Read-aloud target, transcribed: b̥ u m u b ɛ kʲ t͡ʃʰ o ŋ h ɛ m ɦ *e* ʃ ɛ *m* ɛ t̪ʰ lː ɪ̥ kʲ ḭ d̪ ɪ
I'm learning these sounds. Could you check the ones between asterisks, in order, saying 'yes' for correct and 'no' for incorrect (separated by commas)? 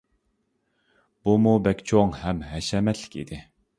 no, yes